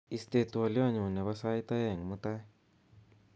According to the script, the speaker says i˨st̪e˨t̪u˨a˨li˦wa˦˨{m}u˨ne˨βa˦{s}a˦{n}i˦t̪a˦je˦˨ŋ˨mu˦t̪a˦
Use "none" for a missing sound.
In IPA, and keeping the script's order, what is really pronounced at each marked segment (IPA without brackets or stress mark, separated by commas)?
ɲ, s, none